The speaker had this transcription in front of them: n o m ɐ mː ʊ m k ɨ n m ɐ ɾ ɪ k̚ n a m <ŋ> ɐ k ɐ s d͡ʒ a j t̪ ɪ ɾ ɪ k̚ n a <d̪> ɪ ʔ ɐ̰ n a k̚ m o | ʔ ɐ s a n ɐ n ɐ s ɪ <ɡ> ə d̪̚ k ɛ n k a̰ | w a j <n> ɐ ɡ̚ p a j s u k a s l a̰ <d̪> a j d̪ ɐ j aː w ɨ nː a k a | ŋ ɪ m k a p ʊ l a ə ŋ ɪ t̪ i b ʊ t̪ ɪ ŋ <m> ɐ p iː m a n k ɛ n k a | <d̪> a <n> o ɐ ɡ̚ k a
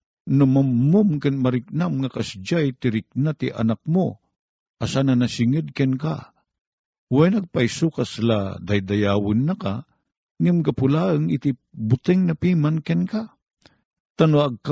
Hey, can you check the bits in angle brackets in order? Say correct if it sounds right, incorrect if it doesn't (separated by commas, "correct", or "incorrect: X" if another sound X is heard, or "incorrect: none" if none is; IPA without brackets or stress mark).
correct, incorrect: t̪, incorrect: ŋ, correct, correct, incorrect: n, incorrect: t̪, correct